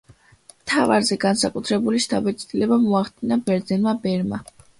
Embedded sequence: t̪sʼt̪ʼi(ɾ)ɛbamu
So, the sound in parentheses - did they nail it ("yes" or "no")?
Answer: no